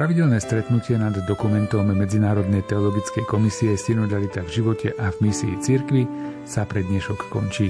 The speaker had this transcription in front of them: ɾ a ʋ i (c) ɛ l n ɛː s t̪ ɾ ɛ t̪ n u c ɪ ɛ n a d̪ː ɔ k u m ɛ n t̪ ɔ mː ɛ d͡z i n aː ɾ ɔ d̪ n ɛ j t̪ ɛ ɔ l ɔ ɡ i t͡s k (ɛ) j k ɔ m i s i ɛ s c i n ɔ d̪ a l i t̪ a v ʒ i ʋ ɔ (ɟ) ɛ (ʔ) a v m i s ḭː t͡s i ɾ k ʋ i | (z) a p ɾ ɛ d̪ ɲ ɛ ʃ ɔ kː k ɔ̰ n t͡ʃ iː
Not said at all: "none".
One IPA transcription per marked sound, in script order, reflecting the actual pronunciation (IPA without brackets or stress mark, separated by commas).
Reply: ɟ, ɛ, c, ʔ, s